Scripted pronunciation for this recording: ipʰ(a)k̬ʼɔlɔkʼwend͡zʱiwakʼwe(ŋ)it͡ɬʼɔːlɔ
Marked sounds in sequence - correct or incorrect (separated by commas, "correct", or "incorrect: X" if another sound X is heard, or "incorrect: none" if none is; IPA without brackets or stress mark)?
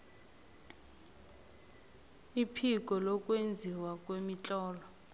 incorrect: i, incorrect: m